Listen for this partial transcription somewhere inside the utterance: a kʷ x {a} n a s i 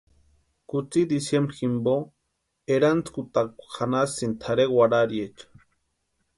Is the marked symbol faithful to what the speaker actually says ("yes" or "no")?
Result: yes